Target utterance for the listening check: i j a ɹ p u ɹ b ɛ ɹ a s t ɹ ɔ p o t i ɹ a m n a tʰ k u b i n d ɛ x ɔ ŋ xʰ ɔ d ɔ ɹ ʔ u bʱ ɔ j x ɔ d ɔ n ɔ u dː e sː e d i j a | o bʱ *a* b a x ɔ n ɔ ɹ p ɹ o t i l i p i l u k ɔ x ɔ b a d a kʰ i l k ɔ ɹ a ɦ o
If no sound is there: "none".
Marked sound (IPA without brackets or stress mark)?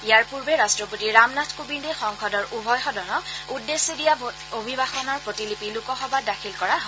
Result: i